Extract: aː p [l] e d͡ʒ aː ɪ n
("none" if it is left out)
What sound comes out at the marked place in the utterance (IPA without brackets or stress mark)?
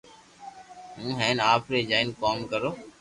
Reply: ɾ